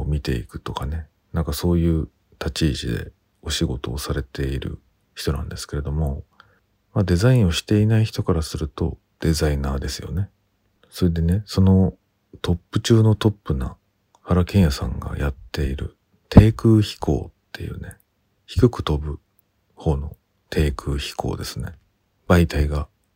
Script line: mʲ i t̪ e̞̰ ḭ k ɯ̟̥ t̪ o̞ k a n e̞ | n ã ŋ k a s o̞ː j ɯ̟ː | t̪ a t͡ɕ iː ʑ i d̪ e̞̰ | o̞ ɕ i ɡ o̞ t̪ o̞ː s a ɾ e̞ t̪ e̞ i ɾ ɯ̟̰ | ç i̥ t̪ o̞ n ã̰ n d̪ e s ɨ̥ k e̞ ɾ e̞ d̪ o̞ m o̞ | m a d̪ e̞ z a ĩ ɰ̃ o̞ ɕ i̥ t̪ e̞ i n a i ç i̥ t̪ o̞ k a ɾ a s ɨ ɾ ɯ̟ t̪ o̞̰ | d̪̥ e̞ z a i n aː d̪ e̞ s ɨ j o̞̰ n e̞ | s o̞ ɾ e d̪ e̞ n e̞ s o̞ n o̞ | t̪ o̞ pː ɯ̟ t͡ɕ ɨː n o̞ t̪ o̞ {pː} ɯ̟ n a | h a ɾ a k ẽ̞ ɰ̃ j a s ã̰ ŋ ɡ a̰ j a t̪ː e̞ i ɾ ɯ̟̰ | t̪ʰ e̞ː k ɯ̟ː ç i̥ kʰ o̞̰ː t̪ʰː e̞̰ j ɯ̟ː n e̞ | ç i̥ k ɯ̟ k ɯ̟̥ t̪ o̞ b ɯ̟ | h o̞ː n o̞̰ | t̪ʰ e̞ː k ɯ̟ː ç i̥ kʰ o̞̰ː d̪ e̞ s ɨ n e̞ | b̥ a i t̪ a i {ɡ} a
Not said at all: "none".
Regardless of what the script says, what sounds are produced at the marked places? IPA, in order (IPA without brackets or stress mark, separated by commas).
pː, ɡ